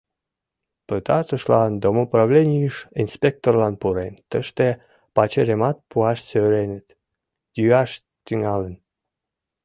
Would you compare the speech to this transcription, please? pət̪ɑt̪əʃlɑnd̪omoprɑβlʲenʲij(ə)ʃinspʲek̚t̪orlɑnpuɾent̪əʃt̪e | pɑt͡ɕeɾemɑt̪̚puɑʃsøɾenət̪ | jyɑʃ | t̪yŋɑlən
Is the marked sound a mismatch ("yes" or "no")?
no